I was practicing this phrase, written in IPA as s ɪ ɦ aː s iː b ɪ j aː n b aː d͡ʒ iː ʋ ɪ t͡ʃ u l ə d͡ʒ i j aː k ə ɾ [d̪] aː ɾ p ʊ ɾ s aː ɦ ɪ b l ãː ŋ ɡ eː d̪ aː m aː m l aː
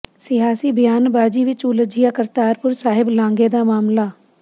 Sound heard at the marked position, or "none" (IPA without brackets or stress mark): t̪